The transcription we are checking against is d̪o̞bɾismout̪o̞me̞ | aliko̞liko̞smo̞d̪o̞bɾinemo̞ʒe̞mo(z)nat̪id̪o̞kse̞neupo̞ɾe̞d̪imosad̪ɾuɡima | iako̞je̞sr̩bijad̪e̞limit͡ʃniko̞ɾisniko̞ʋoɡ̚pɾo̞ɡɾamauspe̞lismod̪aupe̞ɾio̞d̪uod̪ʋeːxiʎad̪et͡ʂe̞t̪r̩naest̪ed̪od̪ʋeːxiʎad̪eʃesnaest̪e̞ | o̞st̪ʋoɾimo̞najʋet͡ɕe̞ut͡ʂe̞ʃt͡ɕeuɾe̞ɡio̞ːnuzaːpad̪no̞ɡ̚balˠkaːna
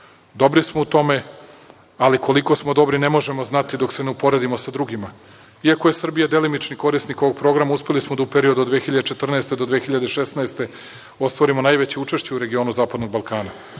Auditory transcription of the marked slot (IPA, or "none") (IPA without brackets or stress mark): z